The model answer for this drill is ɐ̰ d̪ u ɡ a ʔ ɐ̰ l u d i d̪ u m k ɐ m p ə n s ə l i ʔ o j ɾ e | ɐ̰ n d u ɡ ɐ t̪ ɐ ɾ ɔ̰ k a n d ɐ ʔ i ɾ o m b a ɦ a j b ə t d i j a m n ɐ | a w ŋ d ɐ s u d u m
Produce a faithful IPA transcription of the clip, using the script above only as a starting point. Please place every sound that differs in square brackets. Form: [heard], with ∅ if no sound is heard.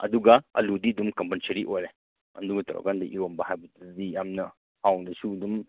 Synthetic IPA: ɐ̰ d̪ u ɡ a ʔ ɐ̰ l u d i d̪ u m k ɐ m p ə n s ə [ɾ] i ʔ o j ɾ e | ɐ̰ n d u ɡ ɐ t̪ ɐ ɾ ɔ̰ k a n d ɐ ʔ i ɾ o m b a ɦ a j b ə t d i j a m n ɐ | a w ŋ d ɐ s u d u m